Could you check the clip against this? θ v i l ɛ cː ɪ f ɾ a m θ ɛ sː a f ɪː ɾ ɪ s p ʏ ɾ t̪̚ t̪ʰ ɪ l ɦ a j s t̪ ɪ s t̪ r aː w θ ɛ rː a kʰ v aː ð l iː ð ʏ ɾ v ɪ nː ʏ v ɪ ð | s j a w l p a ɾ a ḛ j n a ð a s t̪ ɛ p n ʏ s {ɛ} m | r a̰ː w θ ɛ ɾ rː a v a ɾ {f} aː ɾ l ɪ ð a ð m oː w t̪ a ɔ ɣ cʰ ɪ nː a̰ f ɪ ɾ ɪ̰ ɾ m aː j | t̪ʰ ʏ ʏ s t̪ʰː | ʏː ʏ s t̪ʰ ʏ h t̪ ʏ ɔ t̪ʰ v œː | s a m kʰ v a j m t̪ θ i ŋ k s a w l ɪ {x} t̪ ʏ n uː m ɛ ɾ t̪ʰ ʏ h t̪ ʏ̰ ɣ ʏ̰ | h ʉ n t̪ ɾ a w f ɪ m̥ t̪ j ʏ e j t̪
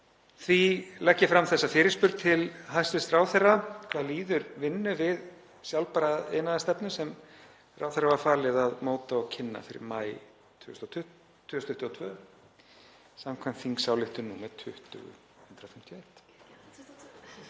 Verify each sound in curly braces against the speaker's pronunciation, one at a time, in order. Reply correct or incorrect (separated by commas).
correct, correct, incorrect